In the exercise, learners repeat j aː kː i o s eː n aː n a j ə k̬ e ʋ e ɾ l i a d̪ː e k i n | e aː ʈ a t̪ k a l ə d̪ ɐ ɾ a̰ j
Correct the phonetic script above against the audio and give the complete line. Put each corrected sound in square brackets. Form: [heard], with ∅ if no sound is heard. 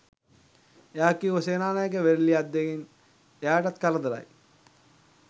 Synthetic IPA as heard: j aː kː i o s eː n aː n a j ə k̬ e ʋ e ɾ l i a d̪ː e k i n | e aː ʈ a t̪ k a l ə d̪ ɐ ɾ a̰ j